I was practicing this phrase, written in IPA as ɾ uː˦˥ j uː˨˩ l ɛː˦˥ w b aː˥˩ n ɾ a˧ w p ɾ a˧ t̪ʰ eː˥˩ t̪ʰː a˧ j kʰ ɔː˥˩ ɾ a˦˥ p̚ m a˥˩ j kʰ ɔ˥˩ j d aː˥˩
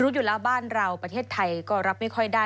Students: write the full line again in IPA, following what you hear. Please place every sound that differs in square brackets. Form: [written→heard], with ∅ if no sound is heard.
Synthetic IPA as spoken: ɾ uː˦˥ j uː˨˩ l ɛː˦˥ w b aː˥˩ n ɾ a˧ w p ɾ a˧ t̪ʰ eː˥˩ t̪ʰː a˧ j [kʰ→k] ɔː˥˩ ɾ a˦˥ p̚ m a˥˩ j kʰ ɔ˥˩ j d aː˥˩